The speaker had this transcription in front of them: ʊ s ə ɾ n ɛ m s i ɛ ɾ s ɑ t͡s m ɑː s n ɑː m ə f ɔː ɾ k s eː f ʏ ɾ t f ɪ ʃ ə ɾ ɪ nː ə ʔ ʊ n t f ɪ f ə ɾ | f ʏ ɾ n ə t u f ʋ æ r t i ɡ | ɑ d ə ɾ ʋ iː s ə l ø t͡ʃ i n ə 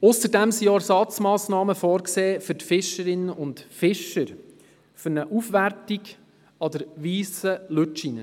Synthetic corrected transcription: ʊ s ə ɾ d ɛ m s i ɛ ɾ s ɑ t͡s m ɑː s n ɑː m ə f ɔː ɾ k s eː f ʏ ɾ t f ɪ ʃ ə ɾ ɪ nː ə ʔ ʊ n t f ɪ ʃ ə ɾ | f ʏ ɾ n ə ʔ u f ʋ æ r t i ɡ | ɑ d ə ɾ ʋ iː s ə l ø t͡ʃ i n ə